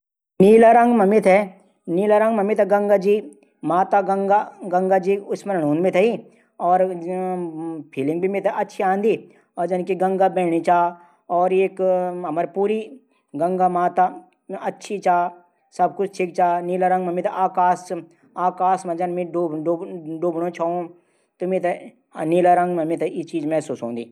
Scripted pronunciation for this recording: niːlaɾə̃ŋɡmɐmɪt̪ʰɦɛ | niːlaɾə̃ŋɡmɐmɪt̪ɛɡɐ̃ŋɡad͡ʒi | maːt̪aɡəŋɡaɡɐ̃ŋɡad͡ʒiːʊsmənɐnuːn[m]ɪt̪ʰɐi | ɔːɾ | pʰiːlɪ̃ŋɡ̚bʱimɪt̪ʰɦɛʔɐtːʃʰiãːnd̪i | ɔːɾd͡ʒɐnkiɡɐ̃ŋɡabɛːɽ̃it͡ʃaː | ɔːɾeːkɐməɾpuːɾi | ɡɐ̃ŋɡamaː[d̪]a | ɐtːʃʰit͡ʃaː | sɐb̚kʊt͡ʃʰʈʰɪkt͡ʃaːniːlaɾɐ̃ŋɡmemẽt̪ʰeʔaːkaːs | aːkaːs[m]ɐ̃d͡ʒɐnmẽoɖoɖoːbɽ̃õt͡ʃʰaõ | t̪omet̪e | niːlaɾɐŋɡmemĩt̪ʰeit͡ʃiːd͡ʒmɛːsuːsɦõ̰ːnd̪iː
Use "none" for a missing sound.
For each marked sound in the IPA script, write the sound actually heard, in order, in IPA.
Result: m, t̪, m

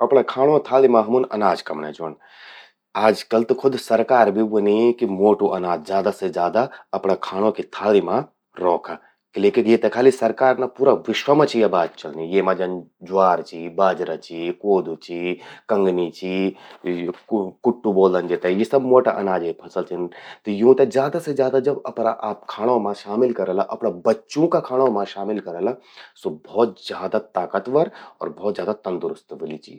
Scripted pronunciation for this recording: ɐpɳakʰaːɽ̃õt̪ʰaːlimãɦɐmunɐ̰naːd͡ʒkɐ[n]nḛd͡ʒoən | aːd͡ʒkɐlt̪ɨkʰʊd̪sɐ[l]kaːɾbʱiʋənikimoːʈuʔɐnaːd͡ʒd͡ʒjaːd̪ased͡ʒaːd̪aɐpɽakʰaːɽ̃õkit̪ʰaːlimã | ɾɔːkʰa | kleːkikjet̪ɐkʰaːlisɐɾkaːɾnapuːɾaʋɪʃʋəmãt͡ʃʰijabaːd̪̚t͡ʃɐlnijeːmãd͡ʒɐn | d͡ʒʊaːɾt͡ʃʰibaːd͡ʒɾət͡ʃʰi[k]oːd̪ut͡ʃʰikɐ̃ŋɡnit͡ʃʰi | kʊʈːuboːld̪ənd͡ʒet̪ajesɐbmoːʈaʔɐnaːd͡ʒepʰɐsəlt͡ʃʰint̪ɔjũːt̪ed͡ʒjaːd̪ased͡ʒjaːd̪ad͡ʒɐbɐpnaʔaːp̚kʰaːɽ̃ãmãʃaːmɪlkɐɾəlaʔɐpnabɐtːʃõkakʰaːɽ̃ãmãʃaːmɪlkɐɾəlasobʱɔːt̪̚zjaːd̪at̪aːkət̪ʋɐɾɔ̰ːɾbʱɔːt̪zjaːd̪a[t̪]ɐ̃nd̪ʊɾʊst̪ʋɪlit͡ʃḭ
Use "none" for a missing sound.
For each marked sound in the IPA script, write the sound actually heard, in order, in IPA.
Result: m, ɾ, k, t̪

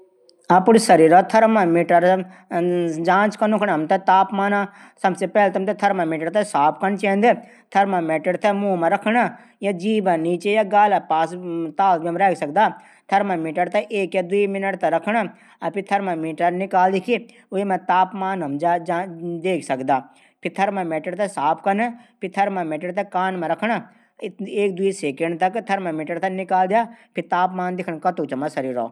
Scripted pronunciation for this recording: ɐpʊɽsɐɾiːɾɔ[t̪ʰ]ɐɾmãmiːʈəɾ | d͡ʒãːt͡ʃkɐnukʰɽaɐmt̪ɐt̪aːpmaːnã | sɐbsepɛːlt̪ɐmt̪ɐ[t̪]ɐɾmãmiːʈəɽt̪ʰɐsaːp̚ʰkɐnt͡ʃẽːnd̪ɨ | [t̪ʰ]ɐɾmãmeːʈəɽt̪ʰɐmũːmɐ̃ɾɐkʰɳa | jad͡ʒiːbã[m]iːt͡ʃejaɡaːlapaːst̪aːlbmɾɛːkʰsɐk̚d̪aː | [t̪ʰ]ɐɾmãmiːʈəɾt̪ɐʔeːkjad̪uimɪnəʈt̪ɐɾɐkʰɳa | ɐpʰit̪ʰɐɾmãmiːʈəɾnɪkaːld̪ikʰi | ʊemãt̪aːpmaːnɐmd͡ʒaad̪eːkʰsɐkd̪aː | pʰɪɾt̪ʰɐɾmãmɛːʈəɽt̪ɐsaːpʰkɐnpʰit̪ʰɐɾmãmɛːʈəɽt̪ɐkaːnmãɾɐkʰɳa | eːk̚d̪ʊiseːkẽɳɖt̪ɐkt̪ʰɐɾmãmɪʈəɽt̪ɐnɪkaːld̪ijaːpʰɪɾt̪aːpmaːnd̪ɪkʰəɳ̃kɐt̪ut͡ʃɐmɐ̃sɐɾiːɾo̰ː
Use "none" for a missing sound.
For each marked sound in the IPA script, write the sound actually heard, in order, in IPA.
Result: t̪ʰ, t̪ʰ, t̪ʰ, n, t̪ʰ

